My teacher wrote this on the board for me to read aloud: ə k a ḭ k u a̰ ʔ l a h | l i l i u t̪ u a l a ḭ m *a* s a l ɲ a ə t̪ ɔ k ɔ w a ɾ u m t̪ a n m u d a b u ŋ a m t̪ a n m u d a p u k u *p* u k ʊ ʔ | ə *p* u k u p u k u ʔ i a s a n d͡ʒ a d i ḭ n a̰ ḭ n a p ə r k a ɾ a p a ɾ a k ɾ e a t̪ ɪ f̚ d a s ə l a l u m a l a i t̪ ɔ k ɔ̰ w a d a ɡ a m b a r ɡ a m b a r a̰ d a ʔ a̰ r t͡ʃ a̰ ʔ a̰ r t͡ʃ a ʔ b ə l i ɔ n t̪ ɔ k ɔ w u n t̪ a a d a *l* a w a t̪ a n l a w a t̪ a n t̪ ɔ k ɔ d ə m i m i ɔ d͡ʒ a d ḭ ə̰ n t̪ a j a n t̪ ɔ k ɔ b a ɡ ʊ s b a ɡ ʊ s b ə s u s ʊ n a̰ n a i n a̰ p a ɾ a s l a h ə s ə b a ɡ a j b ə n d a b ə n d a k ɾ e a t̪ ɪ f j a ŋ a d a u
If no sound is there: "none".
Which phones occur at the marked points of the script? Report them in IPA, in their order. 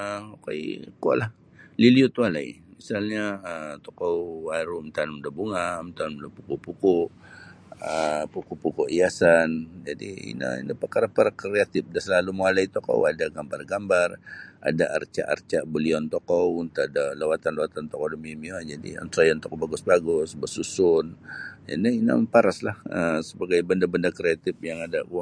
i, p, p, l

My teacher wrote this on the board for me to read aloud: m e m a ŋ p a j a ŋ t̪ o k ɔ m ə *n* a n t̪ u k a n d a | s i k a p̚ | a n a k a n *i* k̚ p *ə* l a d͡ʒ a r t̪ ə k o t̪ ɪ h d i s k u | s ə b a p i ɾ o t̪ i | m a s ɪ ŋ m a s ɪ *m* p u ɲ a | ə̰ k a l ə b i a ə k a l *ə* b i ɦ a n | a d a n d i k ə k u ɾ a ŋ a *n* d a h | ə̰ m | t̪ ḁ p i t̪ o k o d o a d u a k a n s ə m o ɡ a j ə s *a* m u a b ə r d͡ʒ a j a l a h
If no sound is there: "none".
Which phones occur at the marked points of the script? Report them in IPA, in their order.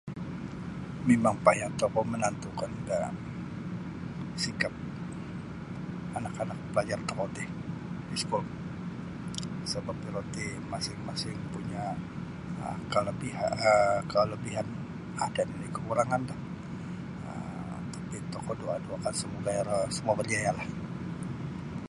n, a, ə, ŋ, ə, n, ə

